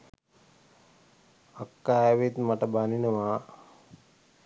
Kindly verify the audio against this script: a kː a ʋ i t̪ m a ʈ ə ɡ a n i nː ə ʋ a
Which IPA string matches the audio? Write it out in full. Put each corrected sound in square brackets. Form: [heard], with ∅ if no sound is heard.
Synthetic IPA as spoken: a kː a ʋ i t̪ m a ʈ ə [b] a n i [n] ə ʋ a